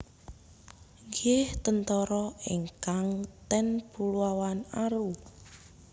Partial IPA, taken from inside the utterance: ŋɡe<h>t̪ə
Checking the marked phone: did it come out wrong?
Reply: no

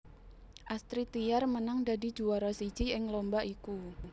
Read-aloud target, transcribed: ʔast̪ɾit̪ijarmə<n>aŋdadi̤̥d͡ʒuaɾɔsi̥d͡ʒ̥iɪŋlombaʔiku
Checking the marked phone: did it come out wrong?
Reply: no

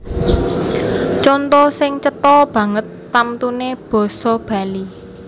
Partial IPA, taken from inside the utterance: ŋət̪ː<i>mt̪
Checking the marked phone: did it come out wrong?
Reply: yes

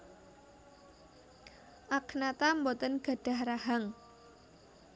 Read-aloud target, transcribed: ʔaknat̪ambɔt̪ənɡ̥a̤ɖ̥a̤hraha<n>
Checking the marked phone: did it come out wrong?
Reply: yes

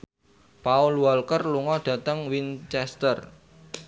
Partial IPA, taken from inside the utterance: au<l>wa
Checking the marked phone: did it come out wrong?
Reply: no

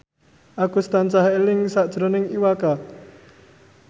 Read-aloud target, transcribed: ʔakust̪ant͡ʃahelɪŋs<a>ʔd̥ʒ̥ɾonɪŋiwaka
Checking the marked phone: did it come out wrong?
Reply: no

